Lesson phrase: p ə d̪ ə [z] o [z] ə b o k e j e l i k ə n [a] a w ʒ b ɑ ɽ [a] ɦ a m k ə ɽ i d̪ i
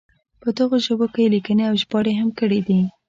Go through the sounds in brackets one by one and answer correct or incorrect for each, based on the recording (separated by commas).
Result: incorrect, incorrect, incorrect, incorrect